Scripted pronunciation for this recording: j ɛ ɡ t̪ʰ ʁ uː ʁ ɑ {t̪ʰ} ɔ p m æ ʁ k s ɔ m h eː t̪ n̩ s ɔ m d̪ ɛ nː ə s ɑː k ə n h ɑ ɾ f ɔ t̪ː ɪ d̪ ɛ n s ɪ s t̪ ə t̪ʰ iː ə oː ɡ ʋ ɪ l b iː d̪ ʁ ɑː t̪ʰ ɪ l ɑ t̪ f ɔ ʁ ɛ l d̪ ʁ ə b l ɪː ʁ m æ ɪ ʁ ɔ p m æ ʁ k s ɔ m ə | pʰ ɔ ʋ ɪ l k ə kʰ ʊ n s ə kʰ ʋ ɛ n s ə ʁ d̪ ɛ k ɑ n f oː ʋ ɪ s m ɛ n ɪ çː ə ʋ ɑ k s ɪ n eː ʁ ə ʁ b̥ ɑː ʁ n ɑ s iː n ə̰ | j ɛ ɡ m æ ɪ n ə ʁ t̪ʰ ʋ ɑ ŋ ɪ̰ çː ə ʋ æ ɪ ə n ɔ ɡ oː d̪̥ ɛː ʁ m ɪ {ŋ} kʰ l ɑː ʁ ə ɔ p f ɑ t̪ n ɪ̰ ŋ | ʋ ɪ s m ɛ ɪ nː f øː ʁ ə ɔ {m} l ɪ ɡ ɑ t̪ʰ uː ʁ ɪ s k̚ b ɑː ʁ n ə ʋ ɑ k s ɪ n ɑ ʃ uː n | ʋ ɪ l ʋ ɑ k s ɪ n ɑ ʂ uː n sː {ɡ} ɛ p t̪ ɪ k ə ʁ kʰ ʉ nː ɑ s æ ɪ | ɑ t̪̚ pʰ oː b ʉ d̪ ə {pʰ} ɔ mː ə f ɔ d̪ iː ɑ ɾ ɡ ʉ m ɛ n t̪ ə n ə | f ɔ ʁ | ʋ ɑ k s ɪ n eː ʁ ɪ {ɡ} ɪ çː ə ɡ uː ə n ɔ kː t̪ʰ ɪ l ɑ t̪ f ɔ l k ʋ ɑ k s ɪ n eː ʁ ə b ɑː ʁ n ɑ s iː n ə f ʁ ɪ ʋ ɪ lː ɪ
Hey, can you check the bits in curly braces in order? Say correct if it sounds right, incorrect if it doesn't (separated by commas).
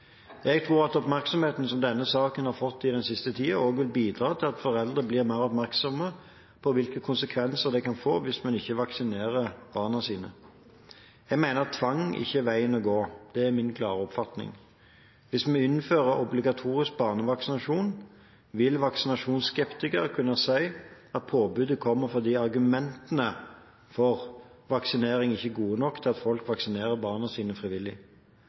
incorrect, incorrect, incorrect, incorrect, incorrect, incorrect